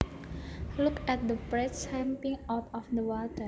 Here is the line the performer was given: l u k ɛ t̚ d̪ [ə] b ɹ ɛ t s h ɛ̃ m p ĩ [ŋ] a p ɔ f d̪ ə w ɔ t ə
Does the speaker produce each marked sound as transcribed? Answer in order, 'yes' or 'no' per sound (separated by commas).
yes, yes